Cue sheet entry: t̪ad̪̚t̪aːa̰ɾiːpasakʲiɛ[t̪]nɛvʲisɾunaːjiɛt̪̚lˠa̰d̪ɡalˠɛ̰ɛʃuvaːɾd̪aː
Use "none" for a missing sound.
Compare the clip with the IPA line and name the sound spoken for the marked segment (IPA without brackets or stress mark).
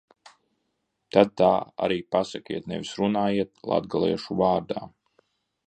t̪